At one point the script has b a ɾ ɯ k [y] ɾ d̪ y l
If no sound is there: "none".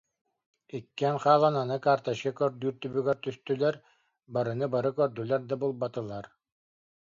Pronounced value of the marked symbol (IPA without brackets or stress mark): œ